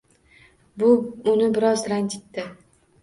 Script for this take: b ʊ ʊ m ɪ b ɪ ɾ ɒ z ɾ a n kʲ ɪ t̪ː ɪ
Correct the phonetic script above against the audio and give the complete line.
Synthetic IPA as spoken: b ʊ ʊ n ɪ b ɪ ɾ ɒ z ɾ a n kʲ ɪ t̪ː ɪ